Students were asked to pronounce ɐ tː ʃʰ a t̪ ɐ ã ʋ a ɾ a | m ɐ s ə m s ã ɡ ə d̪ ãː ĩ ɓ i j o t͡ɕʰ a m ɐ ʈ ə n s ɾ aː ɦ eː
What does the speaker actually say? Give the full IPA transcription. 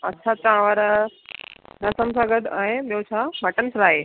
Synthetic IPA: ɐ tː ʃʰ a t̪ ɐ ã ʋ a ɾ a | n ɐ s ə m s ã ɡ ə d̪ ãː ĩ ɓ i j o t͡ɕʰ a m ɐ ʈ ə n s ɾ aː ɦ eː